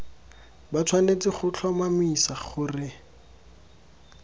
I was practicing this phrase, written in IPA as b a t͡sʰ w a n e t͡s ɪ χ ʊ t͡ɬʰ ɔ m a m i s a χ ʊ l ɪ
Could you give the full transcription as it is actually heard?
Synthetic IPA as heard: b a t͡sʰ w a n e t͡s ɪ χ ʊ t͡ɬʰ ɔ m a m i s a χ ʊ r ɪ